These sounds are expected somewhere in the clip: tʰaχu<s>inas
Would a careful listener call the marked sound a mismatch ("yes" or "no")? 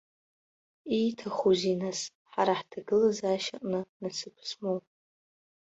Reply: yes